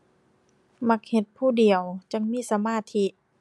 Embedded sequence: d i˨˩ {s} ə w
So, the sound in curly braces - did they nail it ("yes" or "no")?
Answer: no